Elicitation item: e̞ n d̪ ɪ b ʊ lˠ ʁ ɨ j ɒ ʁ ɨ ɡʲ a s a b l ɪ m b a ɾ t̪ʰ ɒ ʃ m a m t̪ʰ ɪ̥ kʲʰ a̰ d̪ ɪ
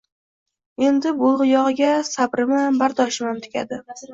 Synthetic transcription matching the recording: e̞ n d̪ ɪ b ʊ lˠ ʁ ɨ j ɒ ʁ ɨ ɡʲ a s a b ɾ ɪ m b a ɾ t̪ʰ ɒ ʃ m a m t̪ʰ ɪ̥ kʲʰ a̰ d̪ ɪ